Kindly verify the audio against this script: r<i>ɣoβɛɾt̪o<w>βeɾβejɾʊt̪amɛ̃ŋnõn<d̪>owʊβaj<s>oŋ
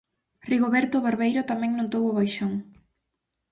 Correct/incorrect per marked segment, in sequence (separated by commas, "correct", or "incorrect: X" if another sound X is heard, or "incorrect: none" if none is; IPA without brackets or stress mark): correct, incorrect: none, incorrect: t̪, incorrect: ʃ